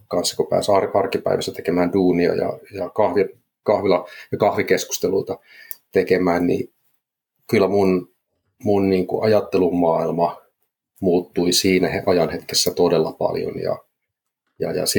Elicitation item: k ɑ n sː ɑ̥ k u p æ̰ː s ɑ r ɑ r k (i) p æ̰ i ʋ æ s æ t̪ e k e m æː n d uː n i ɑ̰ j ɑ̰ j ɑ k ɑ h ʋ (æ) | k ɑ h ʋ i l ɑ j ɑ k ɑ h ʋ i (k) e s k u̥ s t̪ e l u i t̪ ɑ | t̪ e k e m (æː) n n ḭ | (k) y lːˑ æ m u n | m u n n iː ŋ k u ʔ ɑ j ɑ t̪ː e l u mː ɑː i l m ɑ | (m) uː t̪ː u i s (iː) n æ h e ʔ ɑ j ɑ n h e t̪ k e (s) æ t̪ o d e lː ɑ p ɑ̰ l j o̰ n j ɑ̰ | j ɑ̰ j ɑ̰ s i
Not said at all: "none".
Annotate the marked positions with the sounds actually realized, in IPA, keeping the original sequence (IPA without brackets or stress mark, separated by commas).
i, i, k, æː, k, m, iː, sː